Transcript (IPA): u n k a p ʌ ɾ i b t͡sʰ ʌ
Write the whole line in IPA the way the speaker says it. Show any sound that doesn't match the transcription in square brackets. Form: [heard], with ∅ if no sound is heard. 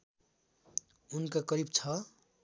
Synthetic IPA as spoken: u n k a [k] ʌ ɾ i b t͡sʰ ʌ